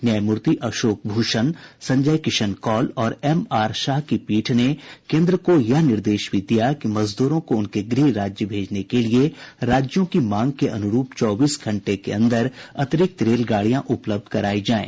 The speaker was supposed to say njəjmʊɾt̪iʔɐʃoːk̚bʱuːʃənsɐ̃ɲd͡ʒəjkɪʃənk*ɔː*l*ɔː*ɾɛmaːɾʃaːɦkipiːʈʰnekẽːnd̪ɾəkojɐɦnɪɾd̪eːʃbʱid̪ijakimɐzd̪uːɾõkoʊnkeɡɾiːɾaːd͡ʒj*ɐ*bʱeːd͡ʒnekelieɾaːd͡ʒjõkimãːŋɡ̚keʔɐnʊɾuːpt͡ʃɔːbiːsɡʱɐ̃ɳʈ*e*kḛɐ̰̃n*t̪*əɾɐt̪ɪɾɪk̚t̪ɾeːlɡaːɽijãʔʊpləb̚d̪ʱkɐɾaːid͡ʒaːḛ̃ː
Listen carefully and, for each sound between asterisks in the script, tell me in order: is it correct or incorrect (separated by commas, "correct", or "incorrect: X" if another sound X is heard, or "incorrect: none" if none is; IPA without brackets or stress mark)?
correct, correct, incorrect: ə, correct, incorrect: d̪